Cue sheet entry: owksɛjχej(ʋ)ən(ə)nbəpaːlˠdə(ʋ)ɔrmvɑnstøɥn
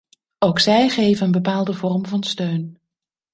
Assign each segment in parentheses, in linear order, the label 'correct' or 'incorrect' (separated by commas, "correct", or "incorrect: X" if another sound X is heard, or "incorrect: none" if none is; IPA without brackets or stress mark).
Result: incorrect: v, correct, incorrect: v